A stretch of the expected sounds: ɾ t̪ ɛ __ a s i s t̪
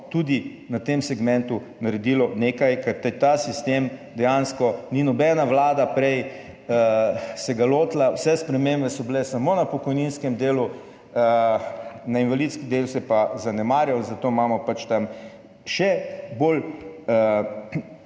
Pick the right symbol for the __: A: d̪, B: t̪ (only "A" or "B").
B